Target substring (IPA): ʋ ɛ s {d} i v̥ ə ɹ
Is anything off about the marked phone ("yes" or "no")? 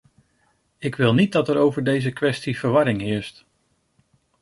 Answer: yes